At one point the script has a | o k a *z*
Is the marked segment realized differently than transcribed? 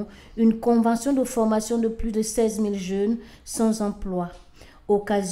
no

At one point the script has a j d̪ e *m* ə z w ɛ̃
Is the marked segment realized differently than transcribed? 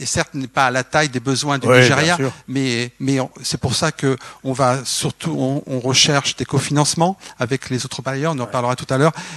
yes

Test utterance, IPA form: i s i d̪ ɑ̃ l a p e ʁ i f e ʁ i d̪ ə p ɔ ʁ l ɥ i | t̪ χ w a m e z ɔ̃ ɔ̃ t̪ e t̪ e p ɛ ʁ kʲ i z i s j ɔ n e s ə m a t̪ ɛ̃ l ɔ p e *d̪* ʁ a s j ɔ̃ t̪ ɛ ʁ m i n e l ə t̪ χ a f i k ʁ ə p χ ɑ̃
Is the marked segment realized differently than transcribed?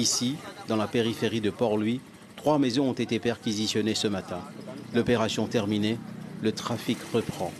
yes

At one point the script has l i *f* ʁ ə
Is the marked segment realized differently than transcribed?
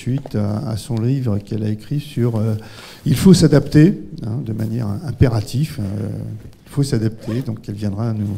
yes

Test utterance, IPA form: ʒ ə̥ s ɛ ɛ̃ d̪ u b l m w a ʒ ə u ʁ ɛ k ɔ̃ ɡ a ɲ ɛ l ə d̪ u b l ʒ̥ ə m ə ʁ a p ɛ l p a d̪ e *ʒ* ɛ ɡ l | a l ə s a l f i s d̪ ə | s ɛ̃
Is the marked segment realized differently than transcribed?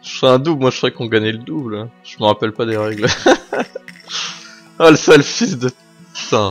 yes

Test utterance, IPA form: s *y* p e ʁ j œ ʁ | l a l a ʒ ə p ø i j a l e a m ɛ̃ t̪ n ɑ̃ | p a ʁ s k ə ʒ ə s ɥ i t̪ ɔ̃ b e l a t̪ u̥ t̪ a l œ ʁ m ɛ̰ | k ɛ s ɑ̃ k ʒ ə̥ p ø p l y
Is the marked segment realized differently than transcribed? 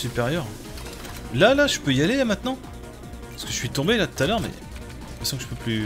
no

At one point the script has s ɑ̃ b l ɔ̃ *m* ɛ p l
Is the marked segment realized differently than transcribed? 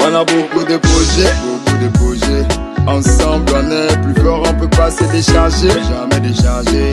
yes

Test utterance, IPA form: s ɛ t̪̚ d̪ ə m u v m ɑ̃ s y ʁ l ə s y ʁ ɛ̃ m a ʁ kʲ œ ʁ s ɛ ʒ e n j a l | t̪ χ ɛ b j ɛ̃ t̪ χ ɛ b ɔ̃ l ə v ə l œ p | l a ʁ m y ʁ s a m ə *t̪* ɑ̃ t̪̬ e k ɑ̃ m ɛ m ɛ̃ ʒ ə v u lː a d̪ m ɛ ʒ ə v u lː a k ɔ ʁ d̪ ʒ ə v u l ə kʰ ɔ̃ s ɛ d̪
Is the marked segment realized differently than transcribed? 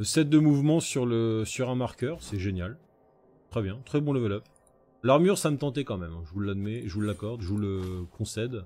no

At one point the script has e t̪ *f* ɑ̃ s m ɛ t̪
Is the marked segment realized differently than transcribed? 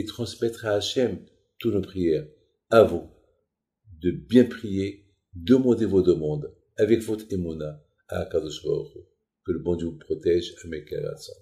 yes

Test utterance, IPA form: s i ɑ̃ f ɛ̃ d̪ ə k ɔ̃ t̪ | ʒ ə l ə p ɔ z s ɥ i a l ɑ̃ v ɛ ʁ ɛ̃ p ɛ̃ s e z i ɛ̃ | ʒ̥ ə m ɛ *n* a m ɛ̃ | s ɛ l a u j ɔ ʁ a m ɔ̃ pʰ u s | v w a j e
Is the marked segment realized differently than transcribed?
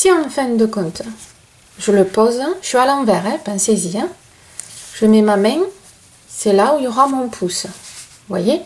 yes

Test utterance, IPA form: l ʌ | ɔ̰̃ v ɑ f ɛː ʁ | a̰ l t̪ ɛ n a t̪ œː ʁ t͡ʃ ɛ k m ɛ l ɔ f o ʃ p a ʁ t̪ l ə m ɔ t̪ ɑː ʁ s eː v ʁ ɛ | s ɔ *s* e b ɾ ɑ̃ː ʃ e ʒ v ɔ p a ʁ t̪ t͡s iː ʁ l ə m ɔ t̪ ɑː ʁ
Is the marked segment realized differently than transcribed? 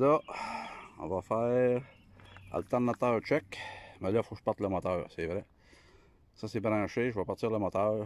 no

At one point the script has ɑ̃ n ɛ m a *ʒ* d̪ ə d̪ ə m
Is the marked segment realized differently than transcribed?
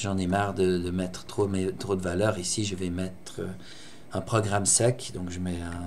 yes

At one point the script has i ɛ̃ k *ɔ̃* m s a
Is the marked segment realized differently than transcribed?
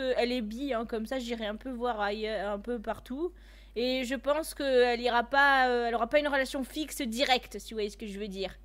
yes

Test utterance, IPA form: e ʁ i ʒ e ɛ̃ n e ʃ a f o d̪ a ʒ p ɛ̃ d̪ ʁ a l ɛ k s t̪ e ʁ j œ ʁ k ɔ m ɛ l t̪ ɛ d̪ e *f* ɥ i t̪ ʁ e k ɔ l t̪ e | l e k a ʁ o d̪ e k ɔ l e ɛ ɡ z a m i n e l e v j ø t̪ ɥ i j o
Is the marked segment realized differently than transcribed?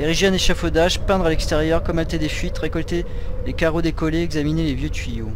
no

